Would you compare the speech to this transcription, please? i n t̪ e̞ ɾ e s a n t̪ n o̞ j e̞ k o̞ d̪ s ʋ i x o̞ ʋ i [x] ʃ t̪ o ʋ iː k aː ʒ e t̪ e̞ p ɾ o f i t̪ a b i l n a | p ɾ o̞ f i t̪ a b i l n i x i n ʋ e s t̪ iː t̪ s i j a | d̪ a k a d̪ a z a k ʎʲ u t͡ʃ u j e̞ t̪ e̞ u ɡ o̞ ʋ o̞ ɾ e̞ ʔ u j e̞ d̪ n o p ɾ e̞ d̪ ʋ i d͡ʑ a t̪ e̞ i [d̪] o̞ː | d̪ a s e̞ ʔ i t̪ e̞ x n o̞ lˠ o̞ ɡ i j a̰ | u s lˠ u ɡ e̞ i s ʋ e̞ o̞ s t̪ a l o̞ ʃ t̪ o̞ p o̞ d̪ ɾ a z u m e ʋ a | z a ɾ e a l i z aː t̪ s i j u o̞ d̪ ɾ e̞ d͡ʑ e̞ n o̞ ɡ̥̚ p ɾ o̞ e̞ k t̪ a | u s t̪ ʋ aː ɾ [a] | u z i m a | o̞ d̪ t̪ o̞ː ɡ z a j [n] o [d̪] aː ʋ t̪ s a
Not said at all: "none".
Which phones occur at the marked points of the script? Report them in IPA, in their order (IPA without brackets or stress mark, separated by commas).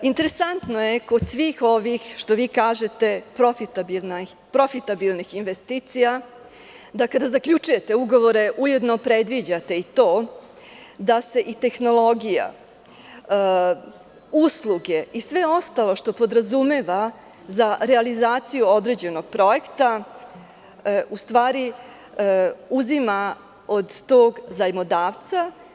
x, t̪, i, m, d̪